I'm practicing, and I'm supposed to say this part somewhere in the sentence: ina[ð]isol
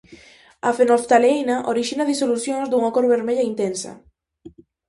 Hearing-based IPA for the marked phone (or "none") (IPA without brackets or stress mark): ð